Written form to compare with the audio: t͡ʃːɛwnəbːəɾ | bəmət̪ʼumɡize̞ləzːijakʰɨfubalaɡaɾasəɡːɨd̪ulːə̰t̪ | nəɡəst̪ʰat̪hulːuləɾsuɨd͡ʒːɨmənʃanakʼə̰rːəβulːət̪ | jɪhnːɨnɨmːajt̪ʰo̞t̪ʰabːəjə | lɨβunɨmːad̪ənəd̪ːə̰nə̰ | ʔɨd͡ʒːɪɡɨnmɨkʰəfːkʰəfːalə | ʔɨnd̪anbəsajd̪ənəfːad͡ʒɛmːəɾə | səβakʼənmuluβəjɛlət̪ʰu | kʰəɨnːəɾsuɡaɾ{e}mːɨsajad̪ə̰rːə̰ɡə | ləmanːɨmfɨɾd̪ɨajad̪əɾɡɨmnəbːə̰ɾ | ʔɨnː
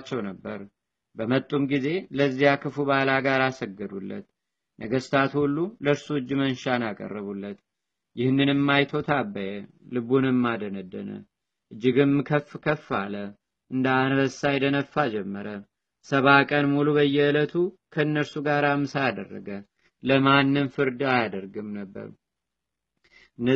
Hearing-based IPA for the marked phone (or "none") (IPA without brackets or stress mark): a